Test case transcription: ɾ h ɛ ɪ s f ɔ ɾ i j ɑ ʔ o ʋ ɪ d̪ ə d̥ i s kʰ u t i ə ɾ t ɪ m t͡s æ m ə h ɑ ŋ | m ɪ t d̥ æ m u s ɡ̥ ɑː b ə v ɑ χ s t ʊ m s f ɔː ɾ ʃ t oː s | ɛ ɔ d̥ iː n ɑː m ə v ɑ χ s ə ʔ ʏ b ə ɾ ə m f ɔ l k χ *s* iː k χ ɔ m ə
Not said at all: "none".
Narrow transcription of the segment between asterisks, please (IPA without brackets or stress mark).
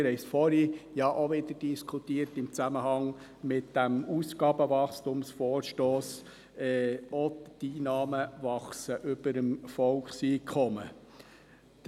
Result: s